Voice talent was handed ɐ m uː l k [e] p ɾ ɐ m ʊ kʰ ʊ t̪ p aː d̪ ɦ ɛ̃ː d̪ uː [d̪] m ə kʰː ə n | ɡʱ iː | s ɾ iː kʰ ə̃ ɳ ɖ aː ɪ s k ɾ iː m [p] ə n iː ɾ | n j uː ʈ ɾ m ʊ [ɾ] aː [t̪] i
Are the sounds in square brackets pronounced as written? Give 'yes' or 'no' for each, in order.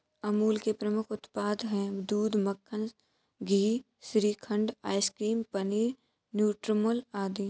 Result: yes, yes, yes, no, no

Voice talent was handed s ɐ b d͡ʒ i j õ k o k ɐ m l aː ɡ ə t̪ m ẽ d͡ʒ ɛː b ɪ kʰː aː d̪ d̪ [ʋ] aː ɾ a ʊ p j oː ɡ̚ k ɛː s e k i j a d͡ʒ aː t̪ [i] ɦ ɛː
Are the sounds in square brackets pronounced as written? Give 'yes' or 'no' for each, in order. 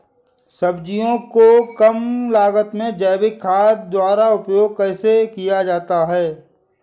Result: no, no

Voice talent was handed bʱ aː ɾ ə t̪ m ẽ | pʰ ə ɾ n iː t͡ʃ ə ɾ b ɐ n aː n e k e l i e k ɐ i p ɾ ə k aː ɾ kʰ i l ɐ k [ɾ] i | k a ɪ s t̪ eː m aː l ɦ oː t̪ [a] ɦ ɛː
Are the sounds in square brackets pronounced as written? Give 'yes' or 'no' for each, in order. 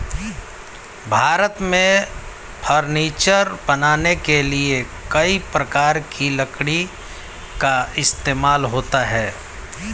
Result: no, yes

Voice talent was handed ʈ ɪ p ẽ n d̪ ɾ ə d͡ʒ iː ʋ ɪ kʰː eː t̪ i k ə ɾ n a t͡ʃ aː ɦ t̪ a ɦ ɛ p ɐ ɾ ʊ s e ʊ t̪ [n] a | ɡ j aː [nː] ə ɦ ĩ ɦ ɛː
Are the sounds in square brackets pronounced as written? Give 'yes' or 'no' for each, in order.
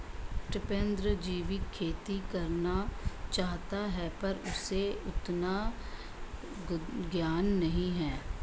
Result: yes, yes

